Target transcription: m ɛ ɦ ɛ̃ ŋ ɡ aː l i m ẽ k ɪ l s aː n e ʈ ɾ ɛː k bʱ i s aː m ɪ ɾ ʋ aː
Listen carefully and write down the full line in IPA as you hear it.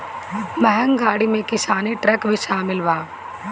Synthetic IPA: m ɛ ɦ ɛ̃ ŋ ɡ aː ɽ i m ẽ k ɪ s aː n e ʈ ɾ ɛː k bʱ i ʃ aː m ɪ l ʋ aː